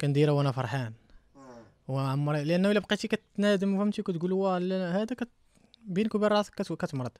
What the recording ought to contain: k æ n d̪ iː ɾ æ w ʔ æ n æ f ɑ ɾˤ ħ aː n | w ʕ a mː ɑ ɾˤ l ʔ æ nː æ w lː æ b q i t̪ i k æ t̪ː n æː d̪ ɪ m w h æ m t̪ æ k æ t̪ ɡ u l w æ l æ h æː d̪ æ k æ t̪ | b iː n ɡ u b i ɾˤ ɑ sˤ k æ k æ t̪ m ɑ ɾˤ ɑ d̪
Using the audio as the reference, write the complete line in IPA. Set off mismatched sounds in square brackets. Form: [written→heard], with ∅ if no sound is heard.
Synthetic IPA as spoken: k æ n d̪ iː ɾ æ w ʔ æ n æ f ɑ ɾˤ ħ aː n | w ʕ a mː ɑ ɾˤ l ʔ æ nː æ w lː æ b q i t̪ i k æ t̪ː n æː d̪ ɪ m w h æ m t̪ [æ→i] k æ t̪ ɡ u l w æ l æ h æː d̪ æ k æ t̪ | b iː n [ɡ→k] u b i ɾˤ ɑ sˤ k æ k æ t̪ m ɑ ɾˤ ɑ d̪